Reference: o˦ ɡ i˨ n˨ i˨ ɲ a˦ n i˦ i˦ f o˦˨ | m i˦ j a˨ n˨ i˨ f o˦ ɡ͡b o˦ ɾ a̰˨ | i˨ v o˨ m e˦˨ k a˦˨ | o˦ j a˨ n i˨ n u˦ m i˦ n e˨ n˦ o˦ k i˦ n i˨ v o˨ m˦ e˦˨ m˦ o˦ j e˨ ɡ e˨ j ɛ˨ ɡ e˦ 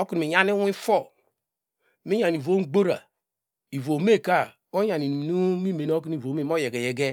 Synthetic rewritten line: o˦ k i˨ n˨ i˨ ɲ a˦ n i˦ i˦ f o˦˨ | m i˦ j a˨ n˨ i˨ v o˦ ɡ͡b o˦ ɾ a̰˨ | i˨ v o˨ m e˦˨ k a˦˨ | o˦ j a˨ n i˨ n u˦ m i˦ m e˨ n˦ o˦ k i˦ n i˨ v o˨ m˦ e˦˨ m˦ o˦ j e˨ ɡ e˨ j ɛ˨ ɡ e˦